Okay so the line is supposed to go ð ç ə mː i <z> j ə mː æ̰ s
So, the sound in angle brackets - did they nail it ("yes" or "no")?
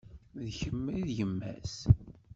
no